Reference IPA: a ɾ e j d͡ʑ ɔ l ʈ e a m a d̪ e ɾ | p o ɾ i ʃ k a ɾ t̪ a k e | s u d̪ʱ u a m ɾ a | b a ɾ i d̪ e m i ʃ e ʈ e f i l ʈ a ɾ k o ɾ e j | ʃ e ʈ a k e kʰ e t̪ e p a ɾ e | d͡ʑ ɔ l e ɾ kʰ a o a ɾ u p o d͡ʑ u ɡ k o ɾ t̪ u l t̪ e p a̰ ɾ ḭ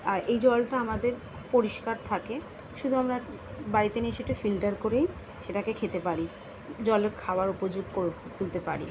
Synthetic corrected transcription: a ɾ e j d͡ʑ ɔ l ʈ a a m a d̪ e ɾ | p o ɾ i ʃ k a ɾ t̪ʰ a k e | ʃ u d̪ʱ u a m ɾ a | b a ɾ i t̪ e n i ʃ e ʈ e f i l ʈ a ɾ k o ɾ e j | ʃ e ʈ a k e kʰ e t̪ e p a ɾ i | d͡ʑ ɔ l e ɾ kʰ a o a ɾ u p o d͡ʑ u ɡ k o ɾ t̪ u l t̪ e p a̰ ɾ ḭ